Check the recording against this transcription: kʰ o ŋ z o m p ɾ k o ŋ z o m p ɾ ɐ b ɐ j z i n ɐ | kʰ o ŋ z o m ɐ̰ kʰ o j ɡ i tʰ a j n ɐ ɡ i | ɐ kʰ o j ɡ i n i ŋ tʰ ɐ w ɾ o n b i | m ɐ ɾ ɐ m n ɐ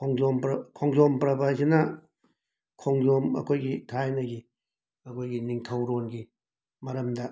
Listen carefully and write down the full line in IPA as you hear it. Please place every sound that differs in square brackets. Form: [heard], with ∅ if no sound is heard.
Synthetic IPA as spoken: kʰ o ŋ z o m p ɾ [kʰ] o ŋ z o m p ɾ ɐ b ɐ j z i n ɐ | kʰ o ŋ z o m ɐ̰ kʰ o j ɡ i tʰ a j n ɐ ɡ i | ɐ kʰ o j ɡ i n i ŋ tʰ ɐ w ɾ o n [ɡ] i | m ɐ ɾ ɐ m [d] ɐ